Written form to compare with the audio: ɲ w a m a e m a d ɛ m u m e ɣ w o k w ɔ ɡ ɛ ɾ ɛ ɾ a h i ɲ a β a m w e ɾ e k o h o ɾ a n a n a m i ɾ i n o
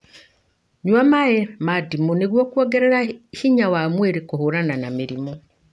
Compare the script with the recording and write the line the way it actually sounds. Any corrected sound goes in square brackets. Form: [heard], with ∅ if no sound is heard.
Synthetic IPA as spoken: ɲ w a m a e m a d [i] m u [n] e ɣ w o k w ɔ ɡ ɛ ɾ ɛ ɾ a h i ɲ a [w] a m w e ɾ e k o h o ɾ a n a n a m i ɾ i [m] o